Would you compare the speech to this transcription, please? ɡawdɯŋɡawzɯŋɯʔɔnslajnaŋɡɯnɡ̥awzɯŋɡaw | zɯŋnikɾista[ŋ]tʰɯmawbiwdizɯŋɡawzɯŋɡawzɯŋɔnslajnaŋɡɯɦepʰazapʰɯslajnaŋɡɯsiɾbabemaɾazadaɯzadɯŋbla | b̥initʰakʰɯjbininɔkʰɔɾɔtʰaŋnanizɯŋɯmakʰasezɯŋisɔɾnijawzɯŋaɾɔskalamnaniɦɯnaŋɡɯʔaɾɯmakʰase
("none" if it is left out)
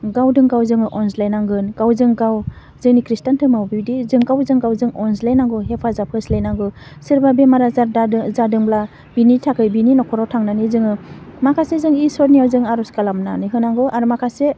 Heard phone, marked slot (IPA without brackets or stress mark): n